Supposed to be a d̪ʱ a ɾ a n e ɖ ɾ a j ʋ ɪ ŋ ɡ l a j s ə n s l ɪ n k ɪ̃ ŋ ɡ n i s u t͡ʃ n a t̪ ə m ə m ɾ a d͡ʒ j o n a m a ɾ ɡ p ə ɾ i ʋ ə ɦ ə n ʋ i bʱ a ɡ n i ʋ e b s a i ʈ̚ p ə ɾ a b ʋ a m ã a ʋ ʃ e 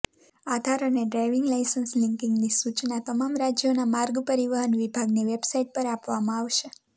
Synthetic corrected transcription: a d̪ʱ a ɾ ə n e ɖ ɾ a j ʋ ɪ ŋ ɡ l a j s ə n s l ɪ ŋ k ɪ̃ ŋ ɡ n i s u t͡ʃ n a t̪ ə m a m ɾ a d͡ʒ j o n a m a ɾ ɡ p ə ɾ i ʋ ə ɦ ə n ʋ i bʱ a ɡ n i ʋ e b s a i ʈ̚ p ə ɾ a p ʋ a m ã a ʋ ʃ e

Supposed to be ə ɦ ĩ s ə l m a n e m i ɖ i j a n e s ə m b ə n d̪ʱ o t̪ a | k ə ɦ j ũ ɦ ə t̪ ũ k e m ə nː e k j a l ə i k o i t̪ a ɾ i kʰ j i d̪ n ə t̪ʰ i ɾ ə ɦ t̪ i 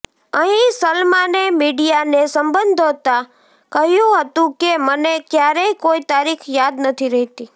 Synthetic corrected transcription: ə ɦ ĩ s ə l m a n e m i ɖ i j a n e s ə m b ə n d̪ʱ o t̪ a | k ə ɦ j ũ ɦ ə t̪ ũ k e m ə n e k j a ɾ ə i k o i t̪ a ɾ i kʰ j a d̪ n ə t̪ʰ i ɾ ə ɦ t̪ i

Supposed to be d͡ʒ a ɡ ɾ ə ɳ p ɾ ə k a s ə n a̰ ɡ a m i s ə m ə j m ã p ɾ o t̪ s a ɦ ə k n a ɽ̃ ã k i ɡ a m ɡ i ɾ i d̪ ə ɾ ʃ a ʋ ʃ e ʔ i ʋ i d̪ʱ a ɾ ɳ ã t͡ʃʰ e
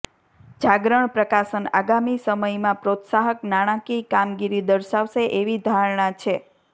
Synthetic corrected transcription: d͡ʒ a ɡ ɾ ə ɳ p ɾ ə k a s ə n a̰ ɡ a m i s ə m ə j m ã p ɾ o t̪ s a ɦ ə k n a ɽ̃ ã k i k a m ɡ i ɾ i d̪ ə ɾ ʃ a ʋ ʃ e ʔ e ʋ i d̪ʱ a ɾ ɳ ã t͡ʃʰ e

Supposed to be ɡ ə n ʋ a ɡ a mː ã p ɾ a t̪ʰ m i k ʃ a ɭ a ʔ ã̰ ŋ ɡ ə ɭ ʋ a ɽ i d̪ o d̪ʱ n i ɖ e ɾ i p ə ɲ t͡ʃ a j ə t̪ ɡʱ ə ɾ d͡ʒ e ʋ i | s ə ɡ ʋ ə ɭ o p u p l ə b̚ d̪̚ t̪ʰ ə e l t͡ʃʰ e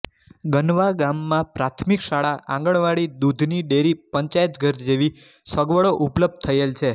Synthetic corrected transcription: ɡ ə n ʋ a ɡ a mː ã p ɾ a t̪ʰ m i k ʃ a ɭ a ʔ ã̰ ŋ ɡ ə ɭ ʋ a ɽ i d̪ u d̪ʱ n i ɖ e ɾ i p ə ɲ t͡ʃ a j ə t̪ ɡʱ ə ɾ d͡ʒ e ʋ i | s ə ɡ ʋ ə ɭ o ʔ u p l ə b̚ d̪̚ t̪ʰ ə e l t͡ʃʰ e

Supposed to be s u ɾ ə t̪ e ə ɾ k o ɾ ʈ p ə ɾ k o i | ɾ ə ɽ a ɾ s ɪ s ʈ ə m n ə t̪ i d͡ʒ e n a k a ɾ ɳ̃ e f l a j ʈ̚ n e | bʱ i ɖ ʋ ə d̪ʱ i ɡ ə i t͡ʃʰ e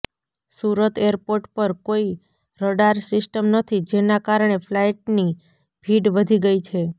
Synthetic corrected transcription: s u ɾ ə t̪ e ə ɾ p o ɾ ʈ p ə ɾ k o i | ɾ ə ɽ a ɾ s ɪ s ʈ ə m n ə t̪ʰ i d͡ʒ e n a k a ɾ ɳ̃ e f l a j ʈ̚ n i | bʱ i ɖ ʋ ə d̪ʱ i ɡ ə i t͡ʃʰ e

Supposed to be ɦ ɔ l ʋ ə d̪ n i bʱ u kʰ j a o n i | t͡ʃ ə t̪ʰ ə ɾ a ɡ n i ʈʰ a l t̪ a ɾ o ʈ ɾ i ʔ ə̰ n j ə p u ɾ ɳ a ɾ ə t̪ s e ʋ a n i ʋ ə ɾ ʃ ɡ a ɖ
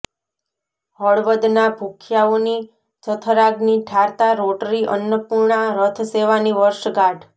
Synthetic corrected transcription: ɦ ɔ ɭ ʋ ə d̪ n a bʱ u kʰ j a o n i | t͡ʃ ə t̪ʰ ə ɾ a ɡ n i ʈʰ a ɾ t̪ a ɾ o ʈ ɾ i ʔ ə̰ n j ə p u ɾ ɳ a ɾ ə t̪ʰ s e ʋ a n i ʋ ə ɾ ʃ ɡ a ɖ

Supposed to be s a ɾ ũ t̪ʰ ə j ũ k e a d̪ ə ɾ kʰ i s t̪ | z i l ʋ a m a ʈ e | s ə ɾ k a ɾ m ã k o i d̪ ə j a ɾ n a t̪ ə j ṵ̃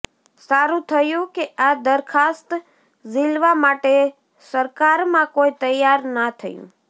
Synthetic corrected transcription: s a ɾ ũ t̪ʰ ə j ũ k e a d̪ ə ɾ kʰ a s t̪ | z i l ʋ a m a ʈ e | s ə ɾ k a ɾ m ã k o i t̪ ə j a ɾ n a t̪ʰ ə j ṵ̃

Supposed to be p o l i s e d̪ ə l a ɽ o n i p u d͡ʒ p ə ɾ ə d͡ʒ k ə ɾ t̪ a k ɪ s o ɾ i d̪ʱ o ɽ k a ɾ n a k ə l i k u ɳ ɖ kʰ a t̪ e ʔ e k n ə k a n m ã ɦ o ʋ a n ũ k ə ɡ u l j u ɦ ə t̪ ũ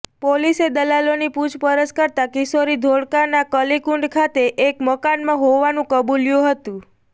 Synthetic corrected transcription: p o l i s e d̪ ə l a l o n i p u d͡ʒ p ə ɾ ə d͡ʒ k ə ɾ t̪ a k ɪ s o ɾ i d̪ʱ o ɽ k a ɾ n a k ə l i k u ɳ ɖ kʰ a t̪ e ʔ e k m ə k a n m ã ɦ o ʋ a n ũ k ə b u l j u ɦ ə t̪ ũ

